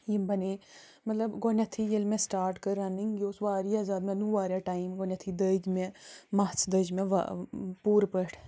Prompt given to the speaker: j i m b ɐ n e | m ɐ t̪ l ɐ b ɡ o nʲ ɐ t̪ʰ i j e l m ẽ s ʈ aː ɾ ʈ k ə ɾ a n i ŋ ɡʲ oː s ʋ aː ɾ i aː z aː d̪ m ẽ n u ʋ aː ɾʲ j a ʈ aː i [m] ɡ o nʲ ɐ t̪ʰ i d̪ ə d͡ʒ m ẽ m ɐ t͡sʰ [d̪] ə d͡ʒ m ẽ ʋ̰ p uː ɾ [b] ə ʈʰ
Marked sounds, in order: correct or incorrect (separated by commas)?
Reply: correct, correct, incorrect